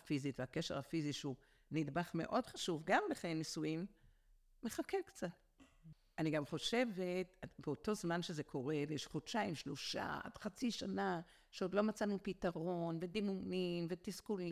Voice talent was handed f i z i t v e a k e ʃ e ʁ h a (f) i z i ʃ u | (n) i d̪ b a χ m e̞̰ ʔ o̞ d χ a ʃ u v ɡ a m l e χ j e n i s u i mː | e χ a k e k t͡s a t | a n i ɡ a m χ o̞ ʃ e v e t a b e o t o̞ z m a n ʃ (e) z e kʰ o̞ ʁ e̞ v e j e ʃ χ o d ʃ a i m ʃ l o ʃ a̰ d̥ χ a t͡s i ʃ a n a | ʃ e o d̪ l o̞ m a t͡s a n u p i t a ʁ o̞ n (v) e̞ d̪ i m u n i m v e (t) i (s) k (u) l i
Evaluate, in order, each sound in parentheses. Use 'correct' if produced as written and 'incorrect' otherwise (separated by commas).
correct, correct, correct, correct, correct, correct, correct